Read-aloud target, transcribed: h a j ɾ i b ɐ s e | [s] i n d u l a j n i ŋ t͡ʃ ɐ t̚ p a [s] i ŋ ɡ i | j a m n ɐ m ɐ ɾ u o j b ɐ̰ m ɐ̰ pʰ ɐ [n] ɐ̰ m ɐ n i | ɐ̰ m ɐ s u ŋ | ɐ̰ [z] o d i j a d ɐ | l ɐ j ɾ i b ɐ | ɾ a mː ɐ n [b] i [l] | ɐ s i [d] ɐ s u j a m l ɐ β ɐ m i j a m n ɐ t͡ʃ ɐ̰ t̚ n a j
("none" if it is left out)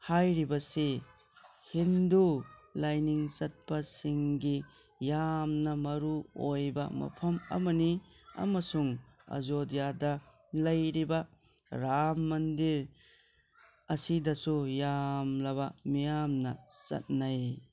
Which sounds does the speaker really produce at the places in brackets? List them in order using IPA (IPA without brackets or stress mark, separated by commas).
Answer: h, s, m, z, d, ɾ, d